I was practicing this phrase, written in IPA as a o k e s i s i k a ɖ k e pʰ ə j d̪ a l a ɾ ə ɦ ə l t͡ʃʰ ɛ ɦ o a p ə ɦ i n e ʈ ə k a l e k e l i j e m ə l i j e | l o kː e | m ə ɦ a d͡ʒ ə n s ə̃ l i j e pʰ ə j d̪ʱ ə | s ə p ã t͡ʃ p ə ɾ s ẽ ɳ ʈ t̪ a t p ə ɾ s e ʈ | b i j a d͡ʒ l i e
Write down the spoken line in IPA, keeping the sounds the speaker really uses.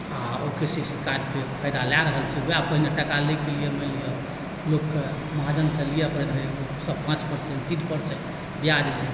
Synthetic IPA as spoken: a o k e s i s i k a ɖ k e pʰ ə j d̪ a l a ɾ ə ɦ ə l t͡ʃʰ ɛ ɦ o a p ə ɦ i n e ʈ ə k a l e k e l i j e m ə l i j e | l o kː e | m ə ɦ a d͡ʒ ə n s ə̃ l i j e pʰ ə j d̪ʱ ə | s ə p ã t͡ʃ p ə ɾ s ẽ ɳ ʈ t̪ i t p ə ɾ s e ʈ | b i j a d͡ʒ l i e